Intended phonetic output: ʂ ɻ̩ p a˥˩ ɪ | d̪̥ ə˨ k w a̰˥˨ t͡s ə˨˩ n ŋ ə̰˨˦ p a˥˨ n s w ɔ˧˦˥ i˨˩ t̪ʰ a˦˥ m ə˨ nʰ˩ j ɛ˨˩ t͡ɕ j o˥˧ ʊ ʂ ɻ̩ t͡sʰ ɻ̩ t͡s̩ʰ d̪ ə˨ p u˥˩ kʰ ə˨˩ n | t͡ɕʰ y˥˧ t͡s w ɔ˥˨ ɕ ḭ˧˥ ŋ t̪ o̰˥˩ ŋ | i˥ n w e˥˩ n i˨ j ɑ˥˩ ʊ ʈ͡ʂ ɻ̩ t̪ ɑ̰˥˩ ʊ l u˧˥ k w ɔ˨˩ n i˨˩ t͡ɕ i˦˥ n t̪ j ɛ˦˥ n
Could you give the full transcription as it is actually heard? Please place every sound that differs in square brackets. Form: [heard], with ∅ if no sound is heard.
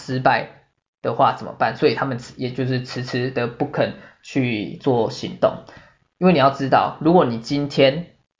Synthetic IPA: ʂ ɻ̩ p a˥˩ ɪ | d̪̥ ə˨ [x] w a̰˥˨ t͡s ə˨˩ n [m] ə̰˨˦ p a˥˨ n s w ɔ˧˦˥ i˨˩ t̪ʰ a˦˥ m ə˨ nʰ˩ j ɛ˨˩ t͡ɕ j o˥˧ ʊ ʂ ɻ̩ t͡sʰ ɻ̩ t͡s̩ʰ d̪ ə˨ p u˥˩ kʰ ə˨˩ n | t͡ɕʰ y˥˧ t͡s w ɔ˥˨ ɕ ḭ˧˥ ŋ t̪ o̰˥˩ ŋ | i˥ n w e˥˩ n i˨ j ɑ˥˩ ʊ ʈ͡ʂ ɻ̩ t̪ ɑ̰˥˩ ʊ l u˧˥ k w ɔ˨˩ n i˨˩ t͡ɕ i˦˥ n [t̪ʰ] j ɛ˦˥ n